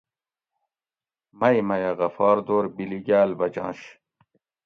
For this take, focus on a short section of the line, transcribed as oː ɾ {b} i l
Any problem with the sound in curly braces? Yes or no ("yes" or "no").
no